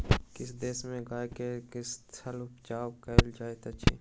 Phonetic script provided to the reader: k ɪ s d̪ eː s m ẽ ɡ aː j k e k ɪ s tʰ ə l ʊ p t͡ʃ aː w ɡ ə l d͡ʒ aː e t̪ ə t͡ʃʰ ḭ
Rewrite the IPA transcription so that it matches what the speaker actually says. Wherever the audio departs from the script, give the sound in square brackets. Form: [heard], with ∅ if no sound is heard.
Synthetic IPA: k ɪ s d̪ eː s m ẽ ɡ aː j k e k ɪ s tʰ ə l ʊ p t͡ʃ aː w [k] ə l d͡ʒ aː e t̪ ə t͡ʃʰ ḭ